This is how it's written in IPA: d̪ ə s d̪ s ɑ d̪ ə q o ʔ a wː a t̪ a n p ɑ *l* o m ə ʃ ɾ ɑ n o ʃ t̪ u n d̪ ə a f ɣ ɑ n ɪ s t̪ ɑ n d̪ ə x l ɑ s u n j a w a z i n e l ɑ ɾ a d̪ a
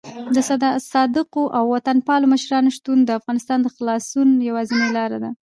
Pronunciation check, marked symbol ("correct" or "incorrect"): correct